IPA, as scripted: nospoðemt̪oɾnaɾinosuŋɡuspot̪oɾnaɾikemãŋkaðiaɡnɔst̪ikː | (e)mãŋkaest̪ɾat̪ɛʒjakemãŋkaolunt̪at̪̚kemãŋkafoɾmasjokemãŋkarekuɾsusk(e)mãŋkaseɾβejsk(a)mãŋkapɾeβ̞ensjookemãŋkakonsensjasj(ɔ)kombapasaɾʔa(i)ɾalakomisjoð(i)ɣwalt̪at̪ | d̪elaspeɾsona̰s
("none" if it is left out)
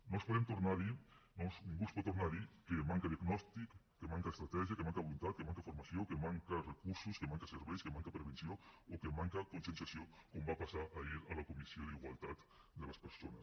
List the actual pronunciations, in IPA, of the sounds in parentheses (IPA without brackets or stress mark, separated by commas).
e, e, e, o, i, i